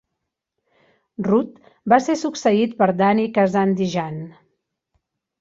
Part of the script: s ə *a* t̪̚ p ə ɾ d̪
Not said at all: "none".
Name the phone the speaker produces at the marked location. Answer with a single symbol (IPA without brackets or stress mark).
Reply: i